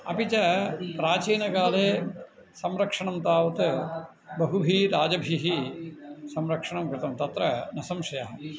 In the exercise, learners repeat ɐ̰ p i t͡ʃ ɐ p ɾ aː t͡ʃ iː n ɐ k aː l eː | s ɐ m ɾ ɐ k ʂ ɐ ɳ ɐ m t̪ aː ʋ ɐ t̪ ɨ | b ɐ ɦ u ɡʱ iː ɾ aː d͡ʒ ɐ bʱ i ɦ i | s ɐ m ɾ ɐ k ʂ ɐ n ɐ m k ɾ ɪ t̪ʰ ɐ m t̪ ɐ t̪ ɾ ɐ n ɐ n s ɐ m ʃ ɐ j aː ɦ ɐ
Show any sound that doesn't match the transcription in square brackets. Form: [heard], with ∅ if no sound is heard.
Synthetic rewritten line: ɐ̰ p i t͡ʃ ɐ p ɾ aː t͡ʃ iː n ɐ k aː l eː | s ɐ m ɾ ɐ k ʂ ɐ ɳ ɐ m t̪ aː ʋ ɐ t̪ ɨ | b ɐ ɦ u [bʱ] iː ɾ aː d͡ʒ ɐ bʱ i ɦ i | s ɐ m ɾ ɐ k ʂ ɐ [ɳ] ɐ m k ɾ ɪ [t̪] ɐ m t̪ ɐ t̪ ɾ ɐ n ɐ [∅] s ɐ m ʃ ɐ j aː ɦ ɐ